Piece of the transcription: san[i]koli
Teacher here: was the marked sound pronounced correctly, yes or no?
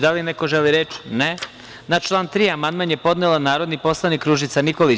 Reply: yes